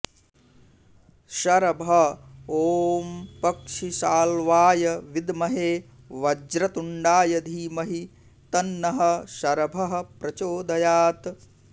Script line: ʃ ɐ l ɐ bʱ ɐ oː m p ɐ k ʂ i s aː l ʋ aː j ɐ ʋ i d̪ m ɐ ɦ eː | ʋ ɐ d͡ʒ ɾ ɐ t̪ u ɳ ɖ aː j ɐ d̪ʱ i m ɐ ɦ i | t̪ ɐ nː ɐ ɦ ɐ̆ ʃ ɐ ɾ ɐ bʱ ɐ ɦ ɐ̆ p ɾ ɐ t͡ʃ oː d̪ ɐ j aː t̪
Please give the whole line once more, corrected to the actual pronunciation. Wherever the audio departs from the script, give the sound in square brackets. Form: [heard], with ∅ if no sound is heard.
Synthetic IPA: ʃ ɐ [ɾ] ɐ bʱ ɐ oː m p ɐ k ʂ i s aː l ʋ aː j ɐ ʋ i d̪ m ɐ ɦ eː | ʋ ɐ d͡ʒ ɾ ɐ t̪ u ɳ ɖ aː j ɐ d̪ʱ [iː] m ɐ ɦ i | t̪ ɐ nː ɐ ɦ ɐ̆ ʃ ɐ ɾ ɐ bʱ ɐ ɦ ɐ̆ p ɾ ɐ t͡ʃ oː d̪ ɐ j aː t̪